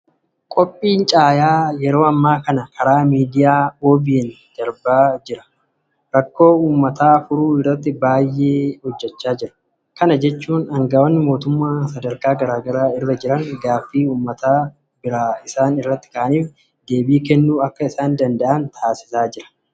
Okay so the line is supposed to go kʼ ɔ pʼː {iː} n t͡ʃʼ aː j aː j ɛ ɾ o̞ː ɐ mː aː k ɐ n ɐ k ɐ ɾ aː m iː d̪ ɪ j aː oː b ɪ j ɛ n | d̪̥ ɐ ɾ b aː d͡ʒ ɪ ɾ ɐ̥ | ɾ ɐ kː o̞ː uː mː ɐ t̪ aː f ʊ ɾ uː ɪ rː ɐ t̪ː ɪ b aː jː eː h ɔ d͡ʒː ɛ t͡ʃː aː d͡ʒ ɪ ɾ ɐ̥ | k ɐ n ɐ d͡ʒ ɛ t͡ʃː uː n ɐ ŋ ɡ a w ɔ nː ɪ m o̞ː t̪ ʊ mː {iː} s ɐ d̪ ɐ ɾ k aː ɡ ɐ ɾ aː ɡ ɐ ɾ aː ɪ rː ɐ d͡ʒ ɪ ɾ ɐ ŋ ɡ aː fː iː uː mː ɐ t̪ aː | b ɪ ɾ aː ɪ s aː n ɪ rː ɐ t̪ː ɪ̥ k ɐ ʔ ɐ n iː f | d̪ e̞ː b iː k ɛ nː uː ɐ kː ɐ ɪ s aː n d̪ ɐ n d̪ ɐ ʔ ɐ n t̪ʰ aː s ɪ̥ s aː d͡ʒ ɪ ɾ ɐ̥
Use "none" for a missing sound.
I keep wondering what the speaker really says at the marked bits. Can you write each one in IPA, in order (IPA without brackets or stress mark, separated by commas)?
iː, aː